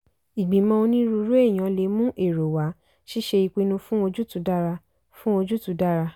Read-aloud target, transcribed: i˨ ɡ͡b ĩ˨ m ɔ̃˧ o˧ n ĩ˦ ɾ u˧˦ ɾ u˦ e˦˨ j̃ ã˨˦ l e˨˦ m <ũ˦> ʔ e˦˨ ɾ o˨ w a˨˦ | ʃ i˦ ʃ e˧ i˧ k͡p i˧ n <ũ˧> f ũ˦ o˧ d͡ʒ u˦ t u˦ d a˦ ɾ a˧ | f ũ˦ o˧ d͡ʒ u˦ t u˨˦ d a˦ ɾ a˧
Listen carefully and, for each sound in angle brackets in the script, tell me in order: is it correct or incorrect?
correct, correct

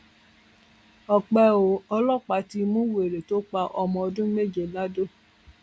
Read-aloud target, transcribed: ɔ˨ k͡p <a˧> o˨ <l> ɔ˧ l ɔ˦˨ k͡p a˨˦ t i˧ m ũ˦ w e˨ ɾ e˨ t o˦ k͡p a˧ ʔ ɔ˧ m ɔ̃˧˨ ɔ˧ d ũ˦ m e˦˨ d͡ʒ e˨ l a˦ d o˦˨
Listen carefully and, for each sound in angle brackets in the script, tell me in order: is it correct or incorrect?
incorrect, incorrect

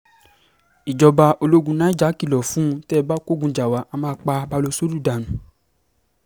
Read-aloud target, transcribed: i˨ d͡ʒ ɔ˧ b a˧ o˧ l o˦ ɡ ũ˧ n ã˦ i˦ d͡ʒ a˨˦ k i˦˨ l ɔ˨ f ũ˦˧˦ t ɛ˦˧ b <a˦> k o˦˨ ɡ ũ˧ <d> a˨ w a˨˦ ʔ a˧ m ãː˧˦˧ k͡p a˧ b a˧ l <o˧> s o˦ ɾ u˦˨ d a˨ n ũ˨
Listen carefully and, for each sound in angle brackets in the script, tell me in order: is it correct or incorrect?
correct, incorrect, correct

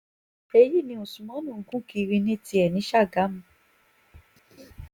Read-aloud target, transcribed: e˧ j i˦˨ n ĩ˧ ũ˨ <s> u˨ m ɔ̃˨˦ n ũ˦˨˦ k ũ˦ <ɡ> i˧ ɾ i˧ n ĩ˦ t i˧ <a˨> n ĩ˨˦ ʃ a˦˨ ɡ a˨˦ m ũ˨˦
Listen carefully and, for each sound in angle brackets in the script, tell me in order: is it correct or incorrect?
correct, incorrect, incorrect

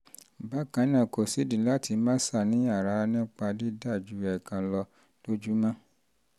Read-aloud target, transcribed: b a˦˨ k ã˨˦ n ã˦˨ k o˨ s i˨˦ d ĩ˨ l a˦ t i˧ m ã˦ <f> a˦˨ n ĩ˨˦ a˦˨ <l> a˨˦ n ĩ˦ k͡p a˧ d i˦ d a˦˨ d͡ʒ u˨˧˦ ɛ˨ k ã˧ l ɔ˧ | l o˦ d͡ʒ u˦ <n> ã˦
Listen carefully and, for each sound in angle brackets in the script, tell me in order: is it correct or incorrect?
incorrect, incorrect, incorrect

